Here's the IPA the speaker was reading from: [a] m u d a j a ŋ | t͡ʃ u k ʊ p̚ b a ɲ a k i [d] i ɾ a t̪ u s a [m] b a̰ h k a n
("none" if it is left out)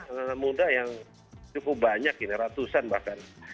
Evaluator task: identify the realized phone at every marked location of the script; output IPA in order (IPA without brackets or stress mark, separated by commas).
ə, n, n